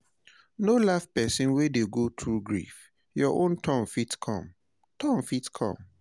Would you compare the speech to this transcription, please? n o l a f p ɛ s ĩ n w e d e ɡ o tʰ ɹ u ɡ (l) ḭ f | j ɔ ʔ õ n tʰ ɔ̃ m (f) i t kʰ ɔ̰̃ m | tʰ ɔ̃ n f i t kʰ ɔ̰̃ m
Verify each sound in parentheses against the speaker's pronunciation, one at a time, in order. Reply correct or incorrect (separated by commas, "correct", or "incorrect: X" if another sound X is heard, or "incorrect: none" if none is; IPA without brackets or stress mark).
incorrect: ɹ, correct